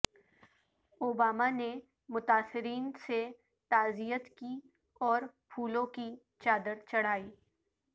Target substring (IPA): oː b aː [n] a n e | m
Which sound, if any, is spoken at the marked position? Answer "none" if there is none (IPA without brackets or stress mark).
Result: m